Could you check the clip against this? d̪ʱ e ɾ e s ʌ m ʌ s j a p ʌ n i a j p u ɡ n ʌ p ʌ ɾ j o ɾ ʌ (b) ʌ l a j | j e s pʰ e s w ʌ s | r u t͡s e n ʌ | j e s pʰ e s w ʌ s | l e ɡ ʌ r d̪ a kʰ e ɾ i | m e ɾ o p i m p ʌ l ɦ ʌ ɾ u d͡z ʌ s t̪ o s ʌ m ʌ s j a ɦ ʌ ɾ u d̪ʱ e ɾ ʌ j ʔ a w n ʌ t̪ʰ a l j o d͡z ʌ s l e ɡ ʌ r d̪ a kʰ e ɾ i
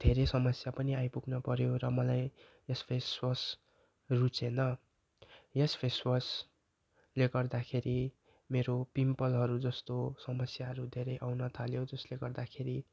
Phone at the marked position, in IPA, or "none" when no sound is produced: m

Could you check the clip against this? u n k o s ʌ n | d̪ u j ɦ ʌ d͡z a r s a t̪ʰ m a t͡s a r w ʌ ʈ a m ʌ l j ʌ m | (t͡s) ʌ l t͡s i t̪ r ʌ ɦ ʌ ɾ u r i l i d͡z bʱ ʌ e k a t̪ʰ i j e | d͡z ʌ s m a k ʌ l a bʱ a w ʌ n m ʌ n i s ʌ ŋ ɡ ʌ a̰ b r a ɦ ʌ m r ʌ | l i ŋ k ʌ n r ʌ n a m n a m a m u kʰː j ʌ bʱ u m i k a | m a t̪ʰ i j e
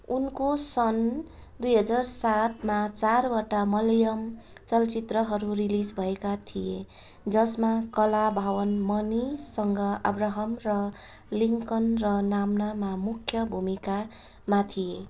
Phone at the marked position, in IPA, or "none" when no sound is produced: t͡s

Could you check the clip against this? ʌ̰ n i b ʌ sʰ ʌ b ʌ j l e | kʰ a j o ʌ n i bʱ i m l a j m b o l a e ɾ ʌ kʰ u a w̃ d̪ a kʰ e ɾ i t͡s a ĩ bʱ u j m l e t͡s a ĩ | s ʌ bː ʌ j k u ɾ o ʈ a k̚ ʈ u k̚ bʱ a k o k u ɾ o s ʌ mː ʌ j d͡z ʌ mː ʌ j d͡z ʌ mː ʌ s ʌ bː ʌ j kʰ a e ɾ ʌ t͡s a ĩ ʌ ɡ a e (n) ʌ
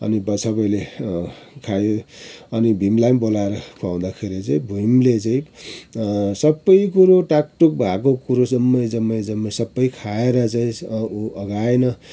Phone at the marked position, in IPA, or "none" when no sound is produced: n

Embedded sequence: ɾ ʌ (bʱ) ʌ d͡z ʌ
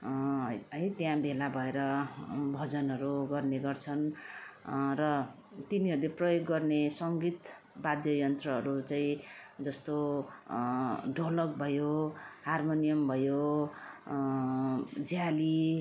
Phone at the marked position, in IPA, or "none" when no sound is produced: bʱ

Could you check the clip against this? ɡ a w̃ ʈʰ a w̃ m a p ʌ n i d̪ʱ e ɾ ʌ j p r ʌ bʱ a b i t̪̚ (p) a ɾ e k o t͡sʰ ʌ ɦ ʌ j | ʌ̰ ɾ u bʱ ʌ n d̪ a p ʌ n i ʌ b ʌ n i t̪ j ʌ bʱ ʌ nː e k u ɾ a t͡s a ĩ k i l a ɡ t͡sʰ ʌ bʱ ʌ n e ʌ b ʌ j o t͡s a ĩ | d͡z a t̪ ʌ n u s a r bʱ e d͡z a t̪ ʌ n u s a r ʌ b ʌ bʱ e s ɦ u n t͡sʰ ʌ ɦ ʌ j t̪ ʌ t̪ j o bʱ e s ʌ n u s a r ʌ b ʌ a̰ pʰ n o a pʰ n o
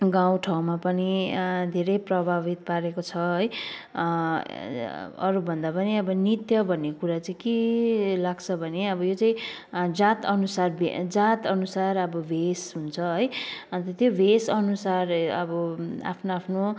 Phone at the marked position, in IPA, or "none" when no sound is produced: p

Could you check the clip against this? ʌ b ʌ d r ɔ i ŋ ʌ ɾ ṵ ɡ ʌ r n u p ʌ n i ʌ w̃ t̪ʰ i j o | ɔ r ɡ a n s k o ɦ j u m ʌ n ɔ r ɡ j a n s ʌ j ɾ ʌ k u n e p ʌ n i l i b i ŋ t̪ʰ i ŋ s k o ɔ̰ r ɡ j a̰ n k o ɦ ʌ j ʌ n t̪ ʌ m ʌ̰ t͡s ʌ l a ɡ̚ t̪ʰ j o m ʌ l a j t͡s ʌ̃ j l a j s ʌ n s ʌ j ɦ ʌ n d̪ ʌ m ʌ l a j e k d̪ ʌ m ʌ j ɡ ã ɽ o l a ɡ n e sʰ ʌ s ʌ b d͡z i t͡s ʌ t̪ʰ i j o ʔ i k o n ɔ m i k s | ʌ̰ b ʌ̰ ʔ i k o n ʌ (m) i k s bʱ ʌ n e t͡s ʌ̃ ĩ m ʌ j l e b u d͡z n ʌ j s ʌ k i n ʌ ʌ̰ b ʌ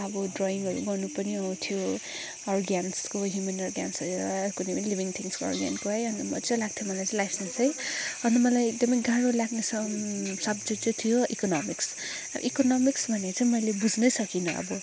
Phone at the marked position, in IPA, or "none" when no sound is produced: m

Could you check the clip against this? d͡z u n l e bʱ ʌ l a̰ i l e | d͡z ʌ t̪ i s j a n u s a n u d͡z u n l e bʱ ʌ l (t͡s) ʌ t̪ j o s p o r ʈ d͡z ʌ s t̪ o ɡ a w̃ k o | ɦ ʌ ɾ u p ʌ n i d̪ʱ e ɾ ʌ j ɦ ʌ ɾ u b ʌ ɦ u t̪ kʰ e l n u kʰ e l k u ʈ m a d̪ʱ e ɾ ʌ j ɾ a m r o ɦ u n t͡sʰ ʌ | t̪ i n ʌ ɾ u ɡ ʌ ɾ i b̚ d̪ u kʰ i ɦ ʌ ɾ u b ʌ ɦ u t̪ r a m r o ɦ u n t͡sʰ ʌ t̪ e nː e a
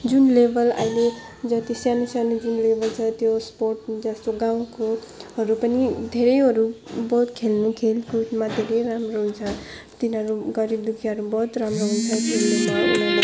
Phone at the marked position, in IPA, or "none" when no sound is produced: t͡sʰ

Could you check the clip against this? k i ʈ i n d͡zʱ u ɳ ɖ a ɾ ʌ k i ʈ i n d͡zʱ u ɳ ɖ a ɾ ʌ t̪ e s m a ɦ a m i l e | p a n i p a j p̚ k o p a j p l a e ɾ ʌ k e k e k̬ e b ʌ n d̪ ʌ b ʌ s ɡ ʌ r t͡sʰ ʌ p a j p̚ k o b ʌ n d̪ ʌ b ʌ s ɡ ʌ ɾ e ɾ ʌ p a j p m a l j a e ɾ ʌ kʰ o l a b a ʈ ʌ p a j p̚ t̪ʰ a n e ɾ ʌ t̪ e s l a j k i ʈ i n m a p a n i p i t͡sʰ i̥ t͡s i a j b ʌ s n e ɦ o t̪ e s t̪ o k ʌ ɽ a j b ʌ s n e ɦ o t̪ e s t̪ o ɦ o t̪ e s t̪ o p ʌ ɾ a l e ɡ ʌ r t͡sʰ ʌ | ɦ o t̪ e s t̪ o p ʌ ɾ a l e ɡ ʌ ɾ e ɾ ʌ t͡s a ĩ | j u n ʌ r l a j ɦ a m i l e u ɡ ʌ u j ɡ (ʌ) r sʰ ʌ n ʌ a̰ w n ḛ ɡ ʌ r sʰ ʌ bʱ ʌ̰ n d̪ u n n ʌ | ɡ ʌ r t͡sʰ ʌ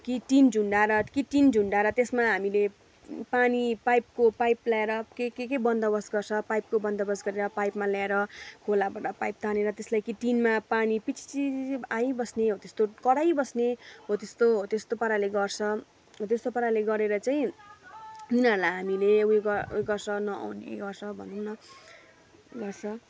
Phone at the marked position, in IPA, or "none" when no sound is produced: ʌ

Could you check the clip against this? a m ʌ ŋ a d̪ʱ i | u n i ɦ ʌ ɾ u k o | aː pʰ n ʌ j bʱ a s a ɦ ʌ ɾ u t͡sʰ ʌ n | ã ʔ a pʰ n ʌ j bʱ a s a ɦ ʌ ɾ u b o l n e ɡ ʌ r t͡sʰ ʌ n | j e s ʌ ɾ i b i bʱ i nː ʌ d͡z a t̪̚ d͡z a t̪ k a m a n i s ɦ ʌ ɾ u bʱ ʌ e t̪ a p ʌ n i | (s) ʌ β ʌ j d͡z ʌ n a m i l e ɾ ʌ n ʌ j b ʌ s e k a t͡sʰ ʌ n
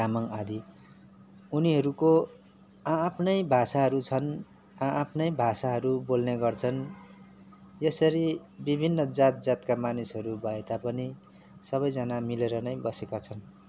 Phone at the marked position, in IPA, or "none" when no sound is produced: s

